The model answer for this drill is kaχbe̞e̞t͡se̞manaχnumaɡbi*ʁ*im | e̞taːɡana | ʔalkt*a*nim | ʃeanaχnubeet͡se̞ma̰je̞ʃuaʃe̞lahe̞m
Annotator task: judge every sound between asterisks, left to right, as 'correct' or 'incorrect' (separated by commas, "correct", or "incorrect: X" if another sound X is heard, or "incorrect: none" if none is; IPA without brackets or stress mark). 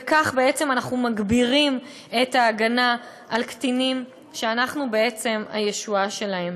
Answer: correct, incorrect: i